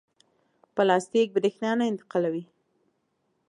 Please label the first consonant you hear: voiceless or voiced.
voiceless